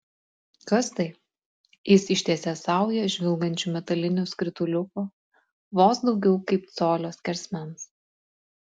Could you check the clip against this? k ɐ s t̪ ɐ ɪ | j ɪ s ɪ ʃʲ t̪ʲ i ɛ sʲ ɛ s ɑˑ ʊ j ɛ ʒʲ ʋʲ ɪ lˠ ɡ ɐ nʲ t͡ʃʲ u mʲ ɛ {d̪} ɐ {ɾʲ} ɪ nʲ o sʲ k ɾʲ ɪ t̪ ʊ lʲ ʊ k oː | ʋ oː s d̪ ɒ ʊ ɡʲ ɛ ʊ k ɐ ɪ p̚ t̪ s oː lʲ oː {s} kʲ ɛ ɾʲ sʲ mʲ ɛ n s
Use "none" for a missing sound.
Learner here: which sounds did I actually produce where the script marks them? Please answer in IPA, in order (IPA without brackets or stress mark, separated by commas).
t̪, lʲ, s